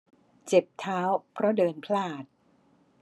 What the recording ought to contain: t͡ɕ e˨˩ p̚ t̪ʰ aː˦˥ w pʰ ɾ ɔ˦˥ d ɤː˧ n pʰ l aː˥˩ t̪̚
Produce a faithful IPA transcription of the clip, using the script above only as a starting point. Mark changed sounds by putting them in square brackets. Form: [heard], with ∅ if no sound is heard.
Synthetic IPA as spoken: t͡ɕ e˨˩ p̚ t̪ʰ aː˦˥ w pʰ ɾ ɔ˦˥ d ɤː˧ n pʰ l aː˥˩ t̪̚